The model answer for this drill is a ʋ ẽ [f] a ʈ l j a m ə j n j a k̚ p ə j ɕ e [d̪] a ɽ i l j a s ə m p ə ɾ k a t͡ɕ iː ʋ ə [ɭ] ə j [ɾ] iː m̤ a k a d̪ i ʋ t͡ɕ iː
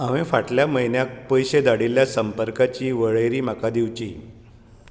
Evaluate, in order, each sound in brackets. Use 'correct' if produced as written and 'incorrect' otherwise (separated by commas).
correct, correct, correct, correct